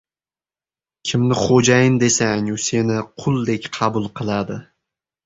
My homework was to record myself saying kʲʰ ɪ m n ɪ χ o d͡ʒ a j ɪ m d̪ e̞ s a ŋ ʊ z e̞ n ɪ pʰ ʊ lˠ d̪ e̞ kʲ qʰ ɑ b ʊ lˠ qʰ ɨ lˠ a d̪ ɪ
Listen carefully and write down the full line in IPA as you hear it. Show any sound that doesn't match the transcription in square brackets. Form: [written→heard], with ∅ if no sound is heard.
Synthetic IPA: kʲʰ ɪ m n ɪ χ o d͡ʒ a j ɪ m d̪ e̞ s a ŋ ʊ [z→s] e̞ n ɪ [pʰ→qʰ] ʊ lˠ d̪ e̞ kʲ qʰ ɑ b ʊ lˠ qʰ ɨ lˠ a d̪ ɪ